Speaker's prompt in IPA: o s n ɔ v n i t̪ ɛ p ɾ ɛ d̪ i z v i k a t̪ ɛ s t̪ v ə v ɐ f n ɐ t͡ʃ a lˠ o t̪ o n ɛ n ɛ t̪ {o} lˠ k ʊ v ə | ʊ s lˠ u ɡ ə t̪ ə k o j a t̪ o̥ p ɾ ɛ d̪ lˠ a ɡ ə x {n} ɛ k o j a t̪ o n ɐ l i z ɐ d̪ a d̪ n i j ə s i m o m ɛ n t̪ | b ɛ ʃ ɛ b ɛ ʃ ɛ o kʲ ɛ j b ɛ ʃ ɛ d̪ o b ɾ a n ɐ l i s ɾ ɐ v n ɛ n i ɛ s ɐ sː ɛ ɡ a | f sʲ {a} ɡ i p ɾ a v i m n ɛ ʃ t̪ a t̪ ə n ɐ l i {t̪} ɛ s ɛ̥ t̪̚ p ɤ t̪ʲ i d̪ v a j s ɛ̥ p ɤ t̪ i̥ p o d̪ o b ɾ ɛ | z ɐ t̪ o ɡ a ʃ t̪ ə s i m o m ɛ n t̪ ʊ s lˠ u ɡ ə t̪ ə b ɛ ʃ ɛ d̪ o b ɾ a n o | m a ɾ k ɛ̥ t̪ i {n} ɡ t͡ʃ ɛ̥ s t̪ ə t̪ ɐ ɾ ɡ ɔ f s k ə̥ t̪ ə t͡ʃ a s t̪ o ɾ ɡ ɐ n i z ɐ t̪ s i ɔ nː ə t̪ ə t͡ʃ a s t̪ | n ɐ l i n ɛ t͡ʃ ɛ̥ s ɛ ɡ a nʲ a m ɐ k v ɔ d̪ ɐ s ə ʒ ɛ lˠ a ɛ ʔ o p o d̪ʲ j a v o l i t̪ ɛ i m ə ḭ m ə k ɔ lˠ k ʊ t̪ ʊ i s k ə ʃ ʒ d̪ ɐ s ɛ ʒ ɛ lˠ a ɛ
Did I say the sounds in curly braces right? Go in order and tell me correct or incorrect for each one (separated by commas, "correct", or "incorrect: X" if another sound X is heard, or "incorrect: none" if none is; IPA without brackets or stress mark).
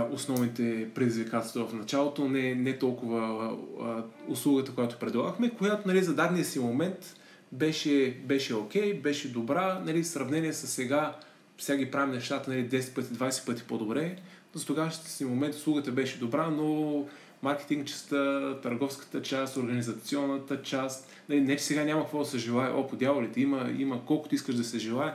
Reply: incorrect: ɔ, incorrect: m, correct, incorrect: d̪, incorrect: ŋ